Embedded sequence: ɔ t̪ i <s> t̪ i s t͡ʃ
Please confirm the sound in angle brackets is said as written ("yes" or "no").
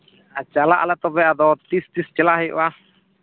yes